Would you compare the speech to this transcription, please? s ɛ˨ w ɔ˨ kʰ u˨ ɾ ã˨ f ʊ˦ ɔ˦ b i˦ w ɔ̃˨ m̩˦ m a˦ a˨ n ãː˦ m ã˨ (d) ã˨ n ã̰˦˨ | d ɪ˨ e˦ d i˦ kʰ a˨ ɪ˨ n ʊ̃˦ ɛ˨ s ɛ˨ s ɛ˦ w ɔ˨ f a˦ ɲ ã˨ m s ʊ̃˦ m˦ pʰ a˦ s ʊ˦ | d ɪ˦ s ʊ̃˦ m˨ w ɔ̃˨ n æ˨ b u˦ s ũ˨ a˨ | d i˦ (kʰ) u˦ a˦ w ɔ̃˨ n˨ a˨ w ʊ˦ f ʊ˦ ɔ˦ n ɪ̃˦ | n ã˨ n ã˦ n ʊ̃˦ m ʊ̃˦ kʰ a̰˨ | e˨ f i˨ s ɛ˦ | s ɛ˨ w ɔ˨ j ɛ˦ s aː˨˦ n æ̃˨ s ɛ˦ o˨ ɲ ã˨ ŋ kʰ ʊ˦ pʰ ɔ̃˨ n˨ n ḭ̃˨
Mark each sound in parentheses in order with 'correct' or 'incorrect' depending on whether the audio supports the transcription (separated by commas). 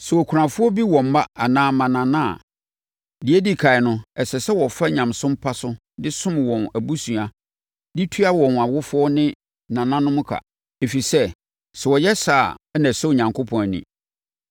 incorrect, incorrect